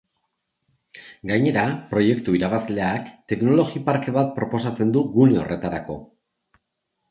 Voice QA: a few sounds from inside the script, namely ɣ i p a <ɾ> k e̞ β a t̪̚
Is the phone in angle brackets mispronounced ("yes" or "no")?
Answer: no